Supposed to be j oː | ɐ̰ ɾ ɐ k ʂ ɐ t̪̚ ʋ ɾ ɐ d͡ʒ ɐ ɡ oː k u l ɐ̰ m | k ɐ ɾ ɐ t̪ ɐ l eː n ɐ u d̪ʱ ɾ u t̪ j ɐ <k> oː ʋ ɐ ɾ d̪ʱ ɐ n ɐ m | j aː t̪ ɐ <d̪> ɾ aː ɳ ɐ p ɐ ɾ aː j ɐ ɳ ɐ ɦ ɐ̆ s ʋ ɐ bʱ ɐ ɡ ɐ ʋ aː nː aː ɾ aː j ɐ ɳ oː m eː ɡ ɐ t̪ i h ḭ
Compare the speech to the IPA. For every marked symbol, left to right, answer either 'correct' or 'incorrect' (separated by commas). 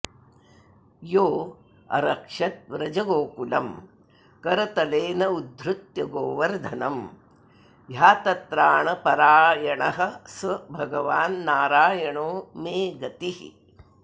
incorrect, incorrect